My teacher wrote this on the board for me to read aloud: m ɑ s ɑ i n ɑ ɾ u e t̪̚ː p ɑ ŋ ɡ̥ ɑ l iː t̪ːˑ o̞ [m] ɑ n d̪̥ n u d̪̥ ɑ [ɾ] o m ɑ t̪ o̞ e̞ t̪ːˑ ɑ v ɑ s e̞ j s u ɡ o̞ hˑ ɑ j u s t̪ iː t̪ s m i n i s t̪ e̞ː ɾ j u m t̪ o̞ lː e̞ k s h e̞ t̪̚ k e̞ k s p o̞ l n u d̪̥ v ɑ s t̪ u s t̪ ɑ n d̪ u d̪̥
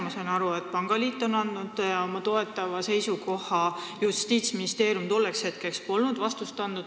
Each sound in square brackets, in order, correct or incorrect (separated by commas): incorrect, incorrect